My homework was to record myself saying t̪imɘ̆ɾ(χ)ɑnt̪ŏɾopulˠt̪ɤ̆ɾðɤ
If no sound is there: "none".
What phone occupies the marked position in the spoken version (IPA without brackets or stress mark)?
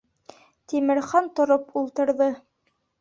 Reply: χ